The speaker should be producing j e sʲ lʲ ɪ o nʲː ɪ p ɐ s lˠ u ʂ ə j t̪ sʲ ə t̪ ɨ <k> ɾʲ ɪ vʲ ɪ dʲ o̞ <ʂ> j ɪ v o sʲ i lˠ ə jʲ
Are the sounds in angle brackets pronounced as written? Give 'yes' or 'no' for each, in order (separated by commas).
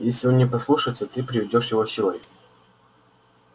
no, yes